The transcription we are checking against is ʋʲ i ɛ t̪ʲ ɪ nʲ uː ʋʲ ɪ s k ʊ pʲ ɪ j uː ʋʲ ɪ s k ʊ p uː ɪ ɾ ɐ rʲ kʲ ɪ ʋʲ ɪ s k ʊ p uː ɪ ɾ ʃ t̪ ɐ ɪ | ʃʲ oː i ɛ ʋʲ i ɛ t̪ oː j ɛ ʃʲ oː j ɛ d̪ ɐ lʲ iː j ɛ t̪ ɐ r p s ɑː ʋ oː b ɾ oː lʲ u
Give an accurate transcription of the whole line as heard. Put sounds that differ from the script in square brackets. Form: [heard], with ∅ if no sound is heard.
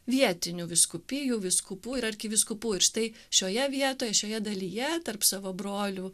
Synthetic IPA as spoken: ʋʲ i ɛ t̪ʲ ɪ nʲ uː ʋʲ ɪ s k ʊ pʲ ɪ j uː ʋʲ ɪ s k ʊ p uː ɪ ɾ ɐ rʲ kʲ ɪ ʋʲ ɪ s k ʊ p uː ɪ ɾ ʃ t̪ ɐ ɪ | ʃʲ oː [j] ɛ ʋʲ i ɛ t̪ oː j ɛ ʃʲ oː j ɛ d̪ ɐ lʲ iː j ɛ t̪ ɐ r p s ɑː ʋ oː b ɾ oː lʲ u